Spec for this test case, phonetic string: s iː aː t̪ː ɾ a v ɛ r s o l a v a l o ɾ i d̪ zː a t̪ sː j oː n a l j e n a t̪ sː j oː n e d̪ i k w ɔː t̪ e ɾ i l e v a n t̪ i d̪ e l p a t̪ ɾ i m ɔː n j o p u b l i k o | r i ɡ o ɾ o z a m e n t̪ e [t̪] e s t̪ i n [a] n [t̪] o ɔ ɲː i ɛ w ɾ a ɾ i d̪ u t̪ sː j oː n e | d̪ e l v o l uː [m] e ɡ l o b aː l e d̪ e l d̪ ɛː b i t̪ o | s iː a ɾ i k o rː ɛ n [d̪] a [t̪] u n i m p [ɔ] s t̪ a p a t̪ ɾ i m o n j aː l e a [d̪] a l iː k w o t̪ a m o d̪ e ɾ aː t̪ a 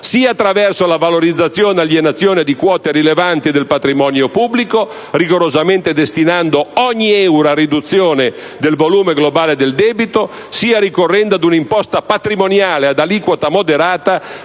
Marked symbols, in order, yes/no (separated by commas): no, yes, no, yes, yes, no, yes, yes